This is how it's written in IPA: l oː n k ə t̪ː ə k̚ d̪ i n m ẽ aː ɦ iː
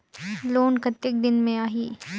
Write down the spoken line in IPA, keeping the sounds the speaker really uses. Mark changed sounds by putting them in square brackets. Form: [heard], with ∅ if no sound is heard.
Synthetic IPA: l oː n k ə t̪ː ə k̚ d̪ [ɪ] n m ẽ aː ɦ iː